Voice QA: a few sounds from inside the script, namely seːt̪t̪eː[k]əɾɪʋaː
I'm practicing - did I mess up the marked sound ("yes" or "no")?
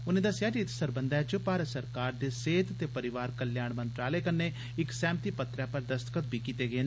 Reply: yes